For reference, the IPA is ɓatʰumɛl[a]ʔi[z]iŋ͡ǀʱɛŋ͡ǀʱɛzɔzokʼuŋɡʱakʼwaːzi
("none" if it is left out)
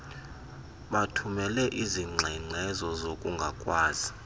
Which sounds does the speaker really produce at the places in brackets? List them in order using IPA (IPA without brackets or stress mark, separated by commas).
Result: ɛ, z